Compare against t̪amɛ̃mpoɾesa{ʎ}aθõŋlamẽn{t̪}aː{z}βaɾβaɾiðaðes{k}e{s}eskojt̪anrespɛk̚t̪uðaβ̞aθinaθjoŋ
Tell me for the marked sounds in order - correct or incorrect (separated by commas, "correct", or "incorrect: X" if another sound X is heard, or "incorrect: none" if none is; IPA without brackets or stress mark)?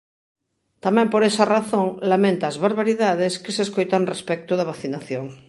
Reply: incorrect: r, correct, correct, correct, correct